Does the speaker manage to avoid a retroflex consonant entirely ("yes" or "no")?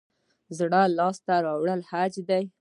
no